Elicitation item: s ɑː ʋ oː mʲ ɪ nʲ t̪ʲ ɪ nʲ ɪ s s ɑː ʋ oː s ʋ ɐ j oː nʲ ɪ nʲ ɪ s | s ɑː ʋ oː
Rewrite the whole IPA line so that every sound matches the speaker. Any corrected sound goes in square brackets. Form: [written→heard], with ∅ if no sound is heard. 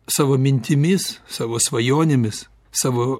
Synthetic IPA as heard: s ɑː ʋ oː mʲ ɪ nʲ t̪ʲ ɪ [nʲ→mʲ] ɪ s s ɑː ʋ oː s ʋ ɐ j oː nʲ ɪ [nʲ→mʲ] ɪ s | s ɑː ʋ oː